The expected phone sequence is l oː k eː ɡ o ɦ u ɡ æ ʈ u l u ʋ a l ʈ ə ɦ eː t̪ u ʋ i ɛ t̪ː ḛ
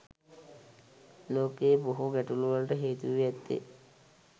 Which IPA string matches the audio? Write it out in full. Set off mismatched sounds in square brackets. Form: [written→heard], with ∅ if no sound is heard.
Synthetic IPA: l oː k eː [ɡ→b] o ɦ u ɡ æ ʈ u l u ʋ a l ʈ ə ɦ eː t̪ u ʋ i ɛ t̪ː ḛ